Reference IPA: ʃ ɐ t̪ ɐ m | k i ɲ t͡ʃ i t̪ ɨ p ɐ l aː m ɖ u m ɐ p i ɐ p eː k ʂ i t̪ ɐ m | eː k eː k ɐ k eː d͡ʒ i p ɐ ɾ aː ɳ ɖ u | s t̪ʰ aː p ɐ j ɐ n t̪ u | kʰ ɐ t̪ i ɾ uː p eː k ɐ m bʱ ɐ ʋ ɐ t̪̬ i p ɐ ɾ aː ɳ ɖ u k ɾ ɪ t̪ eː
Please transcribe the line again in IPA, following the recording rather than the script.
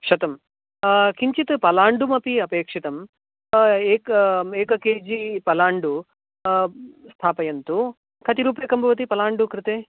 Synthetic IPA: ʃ ɐ t̪ ɐ m | k i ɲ t͡ʃ i t̪ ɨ p ɐ l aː ɳ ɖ u m ɐ p i ɐ p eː k ʂ i t̪ ɐ m | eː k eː k ɐ k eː d͡ʒ i p ɐ l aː ɳ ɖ u | s t̪ʰ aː p ɐ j ɐ n t̪ u | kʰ ɐ t̪ i ɾ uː p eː k ɐ m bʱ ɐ ʋ ɐ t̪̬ i p ɐ l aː ɳ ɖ u k ɾ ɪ t̪ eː